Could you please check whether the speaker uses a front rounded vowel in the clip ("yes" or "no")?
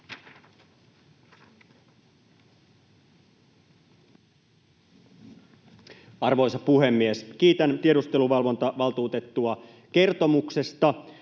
no